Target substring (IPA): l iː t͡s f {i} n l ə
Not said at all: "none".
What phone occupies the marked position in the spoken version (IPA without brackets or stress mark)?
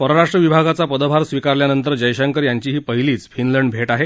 i